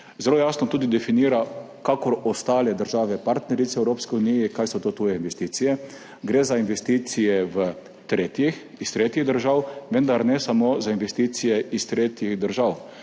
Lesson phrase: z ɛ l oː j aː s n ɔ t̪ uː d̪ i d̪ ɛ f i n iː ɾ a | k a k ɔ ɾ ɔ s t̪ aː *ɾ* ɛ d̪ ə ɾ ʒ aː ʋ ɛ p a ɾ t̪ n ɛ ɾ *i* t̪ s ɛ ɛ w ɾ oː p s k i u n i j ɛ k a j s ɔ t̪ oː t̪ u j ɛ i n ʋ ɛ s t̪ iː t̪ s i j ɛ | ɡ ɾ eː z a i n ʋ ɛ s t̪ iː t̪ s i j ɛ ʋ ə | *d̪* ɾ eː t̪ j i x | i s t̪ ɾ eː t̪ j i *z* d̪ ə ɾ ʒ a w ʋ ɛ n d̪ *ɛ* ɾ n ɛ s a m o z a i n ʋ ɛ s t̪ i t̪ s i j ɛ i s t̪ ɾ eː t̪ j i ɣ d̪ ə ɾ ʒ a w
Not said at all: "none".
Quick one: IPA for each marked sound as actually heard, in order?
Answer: l, i, t̪, ɣ, a

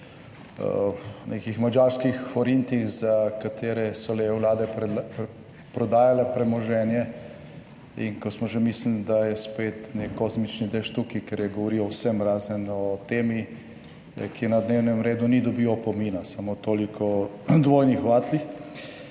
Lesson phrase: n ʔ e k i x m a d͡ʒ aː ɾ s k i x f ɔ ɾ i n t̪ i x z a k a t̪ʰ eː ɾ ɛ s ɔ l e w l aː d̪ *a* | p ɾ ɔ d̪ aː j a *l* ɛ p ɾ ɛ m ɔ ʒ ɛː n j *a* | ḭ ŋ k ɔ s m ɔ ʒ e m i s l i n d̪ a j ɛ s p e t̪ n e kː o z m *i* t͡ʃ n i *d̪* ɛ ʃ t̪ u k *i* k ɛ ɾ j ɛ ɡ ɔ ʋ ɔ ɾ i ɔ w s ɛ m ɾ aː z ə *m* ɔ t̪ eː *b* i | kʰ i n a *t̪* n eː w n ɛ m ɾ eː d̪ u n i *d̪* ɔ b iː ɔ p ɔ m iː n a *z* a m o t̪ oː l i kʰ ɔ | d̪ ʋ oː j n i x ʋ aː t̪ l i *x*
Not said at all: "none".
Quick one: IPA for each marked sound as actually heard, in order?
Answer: ɛ, l, ɛ, i, d̪, i, n, m, d̪, d̪, s, x

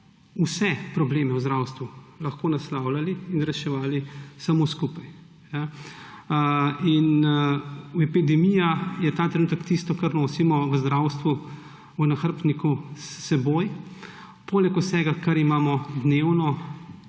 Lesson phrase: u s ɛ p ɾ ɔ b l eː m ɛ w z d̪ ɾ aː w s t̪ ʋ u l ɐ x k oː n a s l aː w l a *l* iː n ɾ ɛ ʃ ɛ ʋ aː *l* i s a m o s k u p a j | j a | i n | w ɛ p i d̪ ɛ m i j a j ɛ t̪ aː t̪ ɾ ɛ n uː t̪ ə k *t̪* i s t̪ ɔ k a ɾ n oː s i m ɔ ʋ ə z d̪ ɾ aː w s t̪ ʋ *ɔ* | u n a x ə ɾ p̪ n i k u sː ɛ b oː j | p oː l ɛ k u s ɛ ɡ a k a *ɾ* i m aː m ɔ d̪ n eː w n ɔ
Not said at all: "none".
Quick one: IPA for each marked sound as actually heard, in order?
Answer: l, l, t̪, u, ɾ

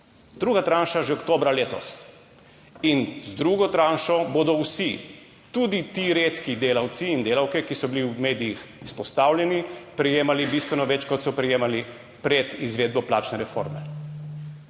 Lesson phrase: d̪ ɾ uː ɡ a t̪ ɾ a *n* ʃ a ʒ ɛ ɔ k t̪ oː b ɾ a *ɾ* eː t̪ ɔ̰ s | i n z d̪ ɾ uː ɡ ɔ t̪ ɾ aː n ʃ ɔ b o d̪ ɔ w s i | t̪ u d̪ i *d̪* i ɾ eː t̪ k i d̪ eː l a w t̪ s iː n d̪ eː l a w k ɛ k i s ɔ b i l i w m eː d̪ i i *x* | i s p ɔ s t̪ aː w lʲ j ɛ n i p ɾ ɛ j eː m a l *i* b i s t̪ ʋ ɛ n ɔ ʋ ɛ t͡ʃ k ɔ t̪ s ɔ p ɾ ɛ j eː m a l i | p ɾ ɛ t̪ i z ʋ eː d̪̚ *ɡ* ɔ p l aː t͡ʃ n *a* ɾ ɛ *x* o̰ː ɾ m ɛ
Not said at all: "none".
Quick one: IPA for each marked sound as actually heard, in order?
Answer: n, l, t̪, x, i, b, ɛ, f

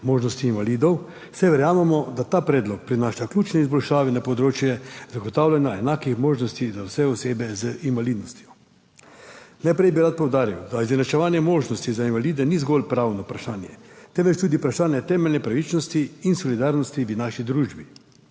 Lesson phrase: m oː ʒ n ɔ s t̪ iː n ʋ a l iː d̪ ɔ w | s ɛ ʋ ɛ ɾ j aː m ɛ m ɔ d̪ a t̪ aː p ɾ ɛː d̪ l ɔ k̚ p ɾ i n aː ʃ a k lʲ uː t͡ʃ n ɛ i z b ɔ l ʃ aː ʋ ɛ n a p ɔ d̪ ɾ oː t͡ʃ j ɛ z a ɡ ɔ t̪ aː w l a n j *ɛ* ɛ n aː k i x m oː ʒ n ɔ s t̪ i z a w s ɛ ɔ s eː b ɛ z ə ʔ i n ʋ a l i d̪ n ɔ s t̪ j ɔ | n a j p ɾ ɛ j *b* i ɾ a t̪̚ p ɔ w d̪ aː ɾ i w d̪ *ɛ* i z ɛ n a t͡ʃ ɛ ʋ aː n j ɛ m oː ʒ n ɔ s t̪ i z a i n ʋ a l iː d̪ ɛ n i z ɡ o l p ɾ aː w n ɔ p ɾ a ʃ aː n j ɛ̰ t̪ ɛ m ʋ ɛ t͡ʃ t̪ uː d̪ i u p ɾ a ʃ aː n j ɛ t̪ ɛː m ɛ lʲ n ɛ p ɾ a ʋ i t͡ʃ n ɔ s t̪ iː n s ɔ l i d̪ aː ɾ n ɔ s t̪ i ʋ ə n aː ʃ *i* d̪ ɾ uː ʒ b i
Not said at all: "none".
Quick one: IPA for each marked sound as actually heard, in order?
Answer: a, b, a, i

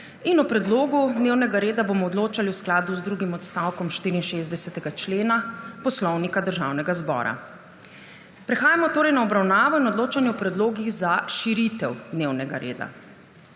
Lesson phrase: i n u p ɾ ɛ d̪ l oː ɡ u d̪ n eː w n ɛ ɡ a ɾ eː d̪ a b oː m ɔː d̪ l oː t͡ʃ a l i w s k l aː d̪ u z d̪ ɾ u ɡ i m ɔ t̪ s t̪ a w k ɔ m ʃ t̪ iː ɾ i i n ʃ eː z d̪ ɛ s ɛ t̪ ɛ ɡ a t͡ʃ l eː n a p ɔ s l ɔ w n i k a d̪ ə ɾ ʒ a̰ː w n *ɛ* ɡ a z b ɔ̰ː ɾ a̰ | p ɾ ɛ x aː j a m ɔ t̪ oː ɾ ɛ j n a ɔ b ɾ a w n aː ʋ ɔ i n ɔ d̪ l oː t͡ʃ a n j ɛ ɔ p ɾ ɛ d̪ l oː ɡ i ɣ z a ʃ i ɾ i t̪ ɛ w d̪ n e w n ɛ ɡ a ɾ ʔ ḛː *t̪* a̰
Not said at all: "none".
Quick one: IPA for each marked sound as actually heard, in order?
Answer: ɛ, d̪

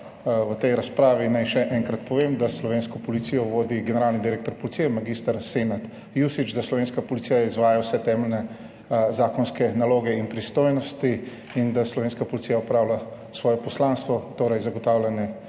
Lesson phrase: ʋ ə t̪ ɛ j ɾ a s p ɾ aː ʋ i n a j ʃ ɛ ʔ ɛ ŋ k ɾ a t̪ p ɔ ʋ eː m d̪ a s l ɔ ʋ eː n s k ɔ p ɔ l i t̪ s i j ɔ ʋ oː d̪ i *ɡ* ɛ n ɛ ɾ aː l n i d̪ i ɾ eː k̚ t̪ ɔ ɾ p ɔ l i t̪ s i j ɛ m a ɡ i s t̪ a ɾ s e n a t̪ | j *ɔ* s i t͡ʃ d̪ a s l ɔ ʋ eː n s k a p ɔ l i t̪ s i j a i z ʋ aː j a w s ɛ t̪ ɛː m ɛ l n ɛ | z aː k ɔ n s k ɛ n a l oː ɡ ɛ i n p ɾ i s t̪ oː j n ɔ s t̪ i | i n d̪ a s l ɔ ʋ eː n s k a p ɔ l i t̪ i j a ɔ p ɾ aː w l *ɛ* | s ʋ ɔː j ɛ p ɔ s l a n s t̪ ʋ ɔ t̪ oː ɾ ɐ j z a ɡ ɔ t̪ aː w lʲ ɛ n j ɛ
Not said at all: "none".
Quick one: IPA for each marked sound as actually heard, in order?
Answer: ɡ, u, a

